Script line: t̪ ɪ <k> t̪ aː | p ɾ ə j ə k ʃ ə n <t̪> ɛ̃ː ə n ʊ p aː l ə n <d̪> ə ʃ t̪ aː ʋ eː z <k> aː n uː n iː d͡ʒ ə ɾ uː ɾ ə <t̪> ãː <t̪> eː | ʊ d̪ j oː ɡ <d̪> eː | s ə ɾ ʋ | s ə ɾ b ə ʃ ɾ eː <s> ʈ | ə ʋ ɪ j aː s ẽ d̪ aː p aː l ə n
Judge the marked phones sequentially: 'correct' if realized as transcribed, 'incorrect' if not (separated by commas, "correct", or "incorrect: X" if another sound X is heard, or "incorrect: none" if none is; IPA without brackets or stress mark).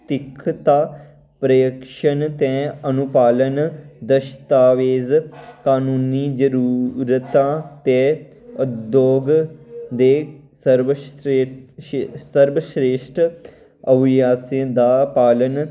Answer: incorrect: kʰ, correct, correct, correct, correct, correct, correct, incorrect: ʃ